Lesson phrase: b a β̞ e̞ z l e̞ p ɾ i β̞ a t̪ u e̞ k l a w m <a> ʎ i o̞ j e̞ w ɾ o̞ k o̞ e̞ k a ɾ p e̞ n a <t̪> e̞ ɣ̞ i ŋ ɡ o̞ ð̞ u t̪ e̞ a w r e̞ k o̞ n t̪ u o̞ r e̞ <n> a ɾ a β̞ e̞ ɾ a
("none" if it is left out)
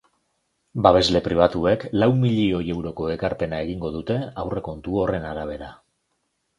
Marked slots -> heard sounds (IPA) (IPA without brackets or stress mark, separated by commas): i, none, n